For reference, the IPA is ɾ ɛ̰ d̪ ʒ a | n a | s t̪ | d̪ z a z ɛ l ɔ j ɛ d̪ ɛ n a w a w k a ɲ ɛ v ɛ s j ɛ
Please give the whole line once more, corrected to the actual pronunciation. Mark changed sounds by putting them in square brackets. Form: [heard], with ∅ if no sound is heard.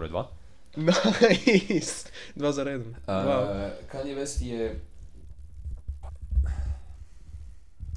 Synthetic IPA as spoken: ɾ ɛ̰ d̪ [v] a | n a | s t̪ | d̪ [v] a z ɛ [ɾ] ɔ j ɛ d̪ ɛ n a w a w k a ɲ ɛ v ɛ s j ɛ